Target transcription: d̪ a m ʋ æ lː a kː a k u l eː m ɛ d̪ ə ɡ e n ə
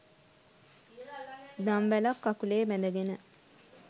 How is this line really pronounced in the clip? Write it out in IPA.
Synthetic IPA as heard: d̪ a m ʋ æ l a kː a k u l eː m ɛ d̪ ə ɡ e n ə